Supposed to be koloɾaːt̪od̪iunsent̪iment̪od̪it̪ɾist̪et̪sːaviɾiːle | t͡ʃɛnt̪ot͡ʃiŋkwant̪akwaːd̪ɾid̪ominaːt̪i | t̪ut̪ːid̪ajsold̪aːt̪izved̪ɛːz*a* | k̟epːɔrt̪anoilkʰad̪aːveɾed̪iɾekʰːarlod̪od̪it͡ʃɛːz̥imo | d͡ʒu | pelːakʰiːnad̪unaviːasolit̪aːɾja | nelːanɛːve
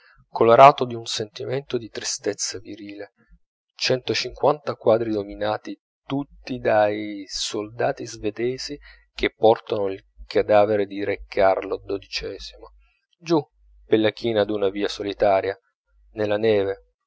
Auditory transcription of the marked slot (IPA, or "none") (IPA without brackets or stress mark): i